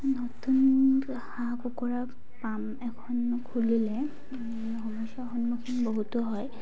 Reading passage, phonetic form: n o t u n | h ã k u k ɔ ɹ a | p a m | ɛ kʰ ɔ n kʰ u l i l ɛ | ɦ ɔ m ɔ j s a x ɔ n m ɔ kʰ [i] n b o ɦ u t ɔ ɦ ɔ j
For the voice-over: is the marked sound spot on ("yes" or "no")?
yes